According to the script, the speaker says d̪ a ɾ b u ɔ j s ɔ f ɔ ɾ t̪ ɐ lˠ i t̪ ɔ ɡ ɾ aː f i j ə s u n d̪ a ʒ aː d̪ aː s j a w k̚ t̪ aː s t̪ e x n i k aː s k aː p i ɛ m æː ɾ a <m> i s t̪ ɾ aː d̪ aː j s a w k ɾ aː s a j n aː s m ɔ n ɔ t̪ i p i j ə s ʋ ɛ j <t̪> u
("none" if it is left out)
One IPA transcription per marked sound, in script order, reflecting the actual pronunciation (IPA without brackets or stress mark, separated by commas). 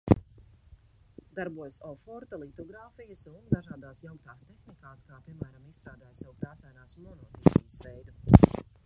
m, d̪